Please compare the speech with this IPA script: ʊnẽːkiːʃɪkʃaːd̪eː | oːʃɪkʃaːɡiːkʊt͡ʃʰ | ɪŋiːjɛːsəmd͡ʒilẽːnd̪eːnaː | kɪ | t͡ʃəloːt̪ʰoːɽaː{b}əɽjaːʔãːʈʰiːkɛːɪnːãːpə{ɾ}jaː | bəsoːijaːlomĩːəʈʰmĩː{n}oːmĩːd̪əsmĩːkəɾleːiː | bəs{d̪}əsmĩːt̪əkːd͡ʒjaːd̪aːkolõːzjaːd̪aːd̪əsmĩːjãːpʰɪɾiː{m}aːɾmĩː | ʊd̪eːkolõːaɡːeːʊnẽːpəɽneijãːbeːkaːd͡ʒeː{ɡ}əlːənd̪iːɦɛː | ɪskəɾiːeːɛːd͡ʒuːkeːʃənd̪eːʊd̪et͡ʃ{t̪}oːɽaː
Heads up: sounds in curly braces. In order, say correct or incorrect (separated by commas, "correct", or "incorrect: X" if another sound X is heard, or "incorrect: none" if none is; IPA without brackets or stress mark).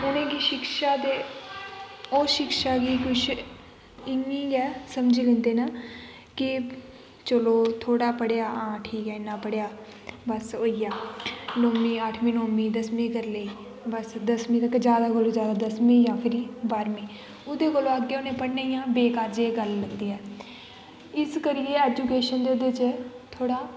incorrect: p, incorrect: ɽ, correct, correct, incorrect: b, correct, incorrect: t̪ʰ